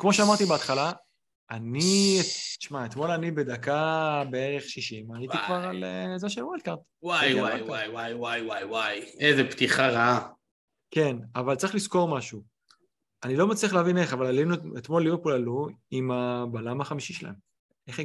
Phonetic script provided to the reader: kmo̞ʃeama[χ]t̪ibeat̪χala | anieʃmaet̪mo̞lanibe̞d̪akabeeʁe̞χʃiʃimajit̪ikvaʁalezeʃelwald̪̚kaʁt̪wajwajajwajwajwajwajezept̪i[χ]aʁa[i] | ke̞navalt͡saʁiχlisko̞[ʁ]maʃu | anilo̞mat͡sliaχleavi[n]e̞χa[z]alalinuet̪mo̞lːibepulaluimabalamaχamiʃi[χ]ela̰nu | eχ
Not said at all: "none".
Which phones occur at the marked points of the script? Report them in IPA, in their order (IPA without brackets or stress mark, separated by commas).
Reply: ʁ, χ, a, ʁ, n, v, ʃ